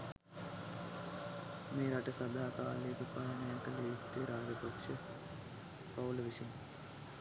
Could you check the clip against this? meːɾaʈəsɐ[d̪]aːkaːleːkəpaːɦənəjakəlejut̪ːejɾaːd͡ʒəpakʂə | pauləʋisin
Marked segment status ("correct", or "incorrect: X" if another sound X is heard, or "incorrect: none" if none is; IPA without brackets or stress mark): correct